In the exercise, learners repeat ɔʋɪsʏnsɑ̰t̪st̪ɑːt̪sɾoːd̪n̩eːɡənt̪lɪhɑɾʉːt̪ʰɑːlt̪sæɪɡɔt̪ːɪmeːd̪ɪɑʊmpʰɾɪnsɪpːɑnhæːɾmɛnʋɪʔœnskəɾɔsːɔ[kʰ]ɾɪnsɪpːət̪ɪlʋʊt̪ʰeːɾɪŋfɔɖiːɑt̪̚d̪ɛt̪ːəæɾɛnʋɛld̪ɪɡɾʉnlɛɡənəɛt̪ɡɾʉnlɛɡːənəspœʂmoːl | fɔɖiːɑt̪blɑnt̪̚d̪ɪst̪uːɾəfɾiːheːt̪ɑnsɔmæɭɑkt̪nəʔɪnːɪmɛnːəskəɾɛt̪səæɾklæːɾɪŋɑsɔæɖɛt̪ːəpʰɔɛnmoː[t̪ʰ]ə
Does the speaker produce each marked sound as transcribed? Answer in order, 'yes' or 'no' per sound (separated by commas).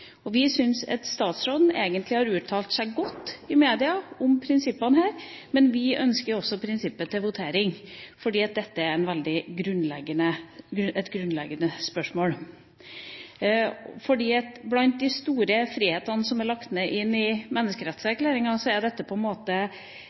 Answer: no, no